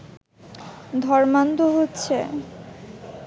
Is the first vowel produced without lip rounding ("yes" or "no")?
no